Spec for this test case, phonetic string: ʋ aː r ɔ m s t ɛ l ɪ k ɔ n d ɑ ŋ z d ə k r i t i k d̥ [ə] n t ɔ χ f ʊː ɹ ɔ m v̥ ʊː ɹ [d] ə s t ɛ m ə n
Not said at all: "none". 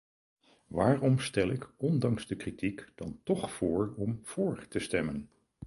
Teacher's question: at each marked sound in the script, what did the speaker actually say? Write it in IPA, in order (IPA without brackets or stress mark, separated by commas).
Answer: ɑ, t